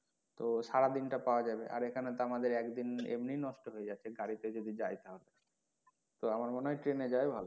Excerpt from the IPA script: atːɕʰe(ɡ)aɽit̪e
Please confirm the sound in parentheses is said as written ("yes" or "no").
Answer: yes